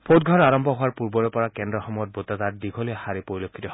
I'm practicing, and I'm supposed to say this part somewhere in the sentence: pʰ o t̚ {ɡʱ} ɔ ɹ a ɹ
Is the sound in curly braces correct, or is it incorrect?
correct